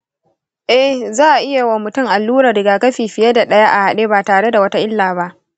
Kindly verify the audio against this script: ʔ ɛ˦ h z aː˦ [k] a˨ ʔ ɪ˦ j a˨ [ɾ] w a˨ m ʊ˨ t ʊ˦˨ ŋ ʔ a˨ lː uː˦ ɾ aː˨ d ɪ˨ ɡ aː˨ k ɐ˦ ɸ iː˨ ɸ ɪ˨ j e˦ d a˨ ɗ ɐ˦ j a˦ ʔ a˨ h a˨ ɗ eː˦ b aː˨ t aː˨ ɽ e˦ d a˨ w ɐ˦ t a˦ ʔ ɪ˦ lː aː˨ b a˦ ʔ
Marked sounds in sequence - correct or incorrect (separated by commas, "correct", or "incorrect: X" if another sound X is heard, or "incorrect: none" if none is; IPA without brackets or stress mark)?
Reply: incorrect: ʔ, incorrect: none